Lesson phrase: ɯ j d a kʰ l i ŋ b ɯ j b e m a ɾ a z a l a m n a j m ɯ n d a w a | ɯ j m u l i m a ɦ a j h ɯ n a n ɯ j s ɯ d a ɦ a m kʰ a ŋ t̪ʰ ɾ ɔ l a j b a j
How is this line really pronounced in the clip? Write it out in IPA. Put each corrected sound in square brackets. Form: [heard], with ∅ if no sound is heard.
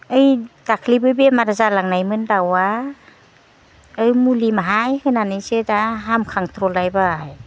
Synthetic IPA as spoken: ɯ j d a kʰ l i [∅] b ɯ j b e m a ɾ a z a l a [ŋ] n a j m ɯ n d a w a | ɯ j m u l i m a ɦ a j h ɯ n a n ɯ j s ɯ d a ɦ a m kʰ a ŋ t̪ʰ ɾ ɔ l a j b a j